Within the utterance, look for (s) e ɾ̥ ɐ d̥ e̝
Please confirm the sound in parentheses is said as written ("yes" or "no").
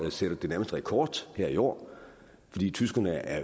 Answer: yes